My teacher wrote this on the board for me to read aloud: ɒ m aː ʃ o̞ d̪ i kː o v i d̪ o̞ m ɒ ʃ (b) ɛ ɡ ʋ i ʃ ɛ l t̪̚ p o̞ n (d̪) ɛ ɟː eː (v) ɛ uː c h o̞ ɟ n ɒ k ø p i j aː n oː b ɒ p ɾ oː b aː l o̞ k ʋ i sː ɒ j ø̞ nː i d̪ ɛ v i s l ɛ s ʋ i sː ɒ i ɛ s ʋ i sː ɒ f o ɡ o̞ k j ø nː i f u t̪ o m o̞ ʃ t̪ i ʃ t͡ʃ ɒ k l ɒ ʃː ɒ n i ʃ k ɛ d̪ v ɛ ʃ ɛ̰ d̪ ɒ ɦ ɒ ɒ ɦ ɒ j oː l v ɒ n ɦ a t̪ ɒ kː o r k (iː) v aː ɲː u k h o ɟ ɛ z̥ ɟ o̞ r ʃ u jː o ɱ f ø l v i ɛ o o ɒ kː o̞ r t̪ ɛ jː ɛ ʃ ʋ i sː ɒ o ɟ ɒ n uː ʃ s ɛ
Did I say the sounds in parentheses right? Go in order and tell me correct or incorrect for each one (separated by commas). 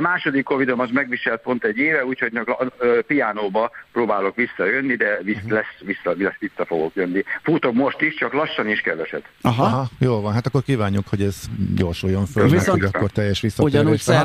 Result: incorrect, incorrect, correct, correct